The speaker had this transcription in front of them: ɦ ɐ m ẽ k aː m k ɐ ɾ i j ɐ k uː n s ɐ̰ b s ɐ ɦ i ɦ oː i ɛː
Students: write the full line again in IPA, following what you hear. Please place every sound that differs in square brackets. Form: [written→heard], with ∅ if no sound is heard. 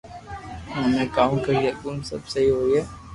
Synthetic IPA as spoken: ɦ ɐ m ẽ k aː m k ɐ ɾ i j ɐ k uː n s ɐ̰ b s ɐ ɦ i ɦ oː i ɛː